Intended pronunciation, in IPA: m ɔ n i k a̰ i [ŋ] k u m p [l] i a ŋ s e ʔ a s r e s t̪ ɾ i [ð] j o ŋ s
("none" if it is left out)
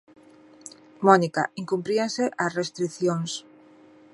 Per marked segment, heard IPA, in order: ŋ, ɾ, θ

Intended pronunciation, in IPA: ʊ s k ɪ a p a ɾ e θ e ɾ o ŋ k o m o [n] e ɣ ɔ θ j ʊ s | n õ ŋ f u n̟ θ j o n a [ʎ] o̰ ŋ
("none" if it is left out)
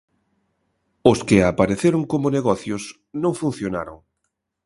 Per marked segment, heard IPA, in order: n, ɾ

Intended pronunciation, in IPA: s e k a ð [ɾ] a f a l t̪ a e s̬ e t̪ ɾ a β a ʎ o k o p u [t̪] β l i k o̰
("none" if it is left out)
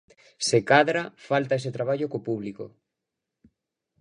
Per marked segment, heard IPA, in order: ɾ, none

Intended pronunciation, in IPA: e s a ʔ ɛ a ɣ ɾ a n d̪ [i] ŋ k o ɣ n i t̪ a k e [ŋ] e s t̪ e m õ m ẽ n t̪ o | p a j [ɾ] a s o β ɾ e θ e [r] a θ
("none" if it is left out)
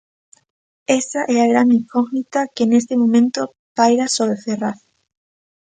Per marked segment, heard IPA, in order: i, n, ɾ, r

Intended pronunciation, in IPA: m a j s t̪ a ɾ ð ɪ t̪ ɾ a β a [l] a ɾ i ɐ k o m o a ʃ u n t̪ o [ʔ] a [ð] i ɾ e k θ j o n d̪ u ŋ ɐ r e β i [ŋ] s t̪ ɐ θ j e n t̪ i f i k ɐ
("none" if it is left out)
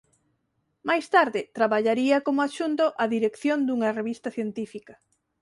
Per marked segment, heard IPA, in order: ʎ, ʔ, ð, none

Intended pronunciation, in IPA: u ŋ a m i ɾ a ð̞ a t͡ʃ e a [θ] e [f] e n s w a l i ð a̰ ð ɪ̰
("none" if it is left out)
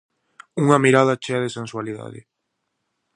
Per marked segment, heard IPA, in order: ð, s

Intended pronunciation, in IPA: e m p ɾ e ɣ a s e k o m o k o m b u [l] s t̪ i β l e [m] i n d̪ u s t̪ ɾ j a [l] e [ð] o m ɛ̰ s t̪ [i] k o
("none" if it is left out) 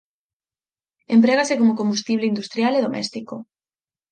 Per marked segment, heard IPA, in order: none, none, l, ð, i

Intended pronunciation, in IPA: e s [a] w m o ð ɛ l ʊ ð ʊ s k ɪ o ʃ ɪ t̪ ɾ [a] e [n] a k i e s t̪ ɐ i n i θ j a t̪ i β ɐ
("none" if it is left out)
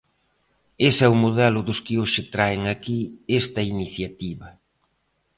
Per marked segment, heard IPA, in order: ɛ, a, ŋ

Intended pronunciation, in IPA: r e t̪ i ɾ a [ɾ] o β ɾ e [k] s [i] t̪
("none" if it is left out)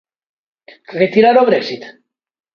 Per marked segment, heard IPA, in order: ɾ, k, i

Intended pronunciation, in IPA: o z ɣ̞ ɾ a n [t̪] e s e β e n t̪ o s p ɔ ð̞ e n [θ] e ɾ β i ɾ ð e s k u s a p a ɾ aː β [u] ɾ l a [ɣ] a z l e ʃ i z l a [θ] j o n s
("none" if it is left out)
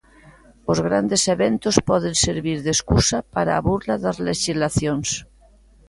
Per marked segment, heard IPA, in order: d̪, s, u, ð, θ

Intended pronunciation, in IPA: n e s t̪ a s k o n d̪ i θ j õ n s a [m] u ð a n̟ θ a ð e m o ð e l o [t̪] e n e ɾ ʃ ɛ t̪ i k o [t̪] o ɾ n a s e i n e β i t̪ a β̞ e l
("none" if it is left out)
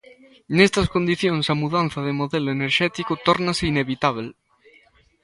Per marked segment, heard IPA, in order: m, none, t̪

